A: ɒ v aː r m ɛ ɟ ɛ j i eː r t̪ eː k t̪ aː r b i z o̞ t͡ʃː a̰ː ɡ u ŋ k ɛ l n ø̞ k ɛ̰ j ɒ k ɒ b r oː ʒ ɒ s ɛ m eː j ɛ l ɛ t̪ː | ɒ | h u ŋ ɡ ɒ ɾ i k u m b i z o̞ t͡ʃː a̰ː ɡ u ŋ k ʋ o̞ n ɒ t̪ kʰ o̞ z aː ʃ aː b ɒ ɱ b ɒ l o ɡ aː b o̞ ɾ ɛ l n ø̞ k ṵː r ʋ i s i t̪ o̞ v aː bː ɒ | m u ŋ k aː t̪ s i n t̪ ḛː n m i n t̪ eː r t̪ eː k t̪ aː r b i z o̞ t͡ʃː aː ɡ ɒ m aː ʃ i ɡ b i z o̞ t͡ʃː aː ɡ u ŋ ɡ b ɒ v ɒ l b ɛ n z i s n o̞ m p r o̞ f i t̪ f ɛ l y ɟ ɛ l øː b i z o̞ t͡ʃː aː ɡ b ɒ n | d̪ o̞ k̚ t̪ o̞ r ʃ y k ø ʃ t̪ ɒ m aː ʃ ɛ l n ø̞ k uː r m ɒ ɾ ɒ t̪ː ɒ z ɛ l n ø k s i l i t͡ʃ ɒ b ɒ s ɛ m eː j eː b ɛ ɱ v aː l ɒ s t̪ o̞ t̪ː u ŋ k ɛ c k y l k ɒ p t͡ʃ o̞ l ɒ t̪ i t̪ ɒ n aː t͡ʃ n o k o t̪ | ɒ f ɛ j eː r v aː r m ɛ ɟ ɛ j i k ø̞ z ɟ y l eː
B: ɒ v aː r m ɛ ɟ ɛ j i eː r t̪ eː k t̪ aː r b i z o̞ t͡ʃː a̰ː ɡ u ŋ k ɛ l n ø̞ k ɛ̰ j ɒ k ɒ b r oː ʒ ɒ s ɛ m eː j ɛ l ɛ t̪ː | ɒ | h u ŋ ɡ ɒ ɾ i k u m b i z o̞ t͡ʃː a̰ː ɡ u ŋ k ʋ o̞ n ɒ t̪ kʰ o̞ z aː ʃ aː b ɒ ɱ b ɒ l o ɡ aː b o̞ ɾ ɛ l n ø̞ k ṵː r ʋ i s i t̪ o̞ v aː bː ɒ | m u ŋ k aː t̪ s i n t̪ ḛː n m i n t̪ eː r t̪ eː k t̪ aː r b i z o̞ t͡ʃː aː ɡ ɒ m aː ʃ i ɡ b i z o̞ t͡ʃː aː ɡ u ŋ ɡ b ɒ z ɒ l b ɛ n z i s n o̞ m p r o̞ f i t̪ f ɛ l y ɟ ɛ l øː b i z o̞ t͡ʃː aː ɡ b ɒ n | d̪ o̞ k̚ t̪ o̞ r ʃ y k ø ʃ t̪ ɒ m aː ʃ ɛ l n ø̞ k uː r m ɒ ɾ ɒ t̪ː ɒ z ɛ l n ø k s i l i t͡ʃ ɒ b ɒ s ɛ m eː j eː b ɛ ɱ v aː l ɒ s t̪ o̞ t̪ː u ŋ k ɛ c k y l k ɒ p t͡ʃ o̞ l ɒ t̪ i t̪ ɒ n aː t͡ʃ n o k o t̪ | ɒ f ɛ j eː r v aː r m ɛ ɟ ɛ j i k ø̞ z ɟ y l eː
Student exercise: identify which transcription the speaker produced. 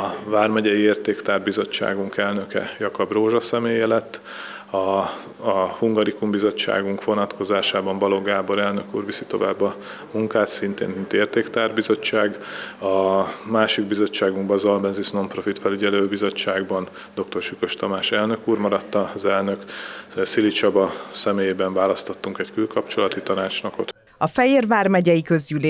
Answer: B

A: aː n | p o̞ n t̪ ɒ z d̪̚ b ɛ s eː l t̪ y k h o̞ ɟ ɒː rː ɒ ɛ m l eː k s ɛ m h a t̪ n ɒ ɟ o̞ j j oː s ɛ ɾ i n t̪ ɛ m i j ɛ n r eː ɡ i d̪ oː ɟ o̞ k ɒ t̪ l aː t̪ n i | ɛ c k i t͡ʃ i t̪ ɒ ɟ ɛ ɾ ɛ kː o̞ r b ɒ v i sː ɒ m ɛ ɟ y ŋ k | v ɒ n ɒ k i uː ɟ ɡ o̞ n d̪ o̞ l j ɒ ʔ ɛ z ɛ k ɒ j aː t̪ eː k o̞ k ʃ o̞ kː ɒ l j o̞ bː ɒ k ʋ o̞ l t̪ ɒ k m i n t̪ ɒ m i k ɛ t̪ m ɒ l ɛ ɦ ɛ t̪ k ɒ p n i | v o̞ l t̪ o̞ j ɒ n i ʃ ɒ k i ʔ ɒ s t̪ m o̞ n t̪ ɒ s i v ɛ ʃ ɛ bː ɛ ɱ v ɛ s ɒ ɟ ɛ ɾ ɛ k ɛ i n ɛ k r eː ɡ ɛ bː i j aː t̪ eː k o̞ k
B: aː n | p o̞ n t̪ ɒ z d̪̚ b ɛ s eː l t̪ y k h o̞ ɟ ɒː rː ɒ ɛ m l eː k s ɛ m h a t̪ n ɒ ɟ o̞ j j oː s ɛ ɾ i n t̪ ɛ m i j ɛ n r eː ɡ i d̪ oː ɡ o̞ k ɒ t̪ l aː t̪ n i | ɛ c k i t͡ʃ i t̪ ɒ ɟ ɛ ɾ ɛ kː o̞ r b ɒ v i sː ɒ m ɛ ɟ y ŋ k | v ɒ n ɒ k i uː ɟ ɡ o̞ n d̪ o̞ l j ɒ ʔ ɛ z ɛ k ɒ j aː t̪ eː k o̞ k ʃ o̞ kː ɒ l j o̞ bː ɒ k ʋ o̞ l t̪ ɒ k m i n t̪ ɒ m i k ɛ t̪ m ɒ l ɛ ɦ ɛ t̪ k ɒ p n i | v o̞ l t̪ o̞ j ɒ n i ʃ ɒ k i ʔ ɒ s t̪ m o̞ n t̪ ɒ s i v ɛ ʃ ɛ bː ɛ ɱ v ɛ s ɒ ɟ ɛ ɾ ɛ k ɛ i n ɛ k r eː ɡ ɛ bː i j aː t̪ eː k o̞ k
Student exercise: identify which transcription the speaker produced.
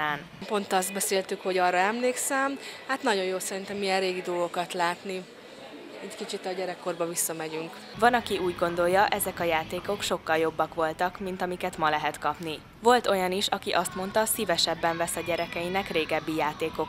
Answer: B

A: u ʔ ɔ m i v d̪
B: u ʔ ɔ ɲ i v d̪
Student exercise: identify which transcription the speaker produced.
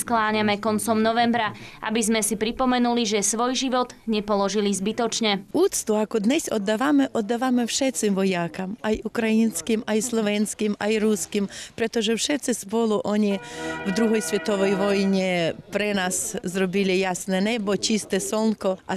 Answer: B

